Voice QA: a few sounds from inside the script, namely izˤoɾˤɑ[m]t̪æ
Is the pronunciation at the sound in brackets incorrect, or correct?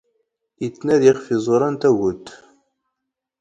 incorrect